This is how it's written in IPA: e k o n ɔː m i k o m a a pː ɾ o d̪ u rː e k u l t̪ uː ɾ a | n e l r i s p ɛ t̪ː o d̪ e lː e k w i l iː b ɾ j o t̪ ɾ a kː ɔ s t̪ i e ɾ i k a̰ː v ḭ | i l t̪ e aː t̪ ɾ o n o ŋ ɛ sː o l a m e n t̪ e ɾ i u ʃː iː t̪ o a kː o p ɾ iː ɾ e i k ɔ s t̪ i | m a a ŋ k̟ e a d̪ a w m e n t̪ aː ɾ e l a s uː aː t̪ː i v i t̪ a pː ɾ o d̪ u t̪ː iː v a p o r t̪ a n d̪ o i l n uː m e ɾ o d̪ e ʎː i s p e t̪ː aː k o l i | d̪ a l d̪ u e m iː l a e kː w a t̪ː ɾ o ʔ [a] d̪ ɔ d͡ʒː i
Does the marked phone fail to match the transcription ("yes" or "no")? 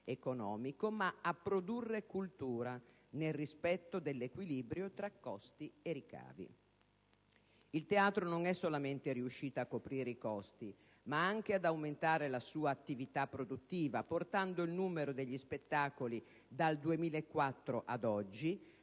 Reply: no